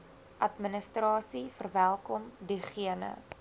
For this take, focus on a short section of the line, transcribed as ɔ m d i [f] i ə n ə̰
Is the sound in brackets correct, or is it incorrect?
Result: incorrect